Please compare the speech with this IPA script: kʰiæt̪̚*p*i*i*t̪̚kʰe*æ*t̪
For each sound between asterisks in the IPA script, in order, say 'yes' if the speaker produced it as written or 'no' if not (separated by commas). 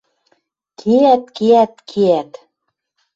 no, no, yes